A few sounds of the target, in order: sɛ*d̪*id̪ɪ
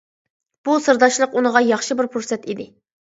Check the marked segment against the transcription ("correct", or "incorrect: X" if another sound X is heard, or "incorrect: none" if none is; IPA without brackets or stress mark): incorrect: t̪